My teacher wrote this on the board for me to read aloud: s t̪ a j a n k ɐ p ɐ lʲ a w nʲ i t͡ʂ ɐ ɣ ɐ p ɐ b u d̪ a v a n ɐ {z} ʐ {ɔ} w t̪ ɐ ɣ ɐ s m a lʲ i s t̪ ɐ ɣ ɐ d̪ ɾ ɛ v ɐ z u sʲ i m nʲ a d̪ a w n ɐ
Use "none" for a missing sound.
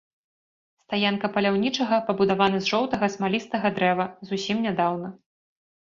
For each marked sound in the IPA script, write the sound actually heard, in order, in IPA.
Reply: z, ɔ

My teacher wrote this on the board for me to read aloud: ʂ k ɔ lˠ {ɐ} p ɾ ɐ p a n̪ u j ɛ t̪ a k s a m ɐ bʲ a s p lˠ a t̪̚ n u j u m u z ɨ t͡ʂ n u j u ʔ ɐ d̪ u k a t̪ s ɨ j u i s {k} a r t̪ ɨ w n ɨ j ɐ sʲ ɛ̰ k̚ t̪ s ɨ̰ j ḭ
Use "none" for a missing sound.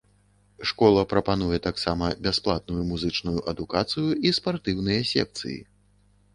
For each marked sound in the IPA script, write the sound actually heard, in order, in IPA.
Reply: ɐ, p

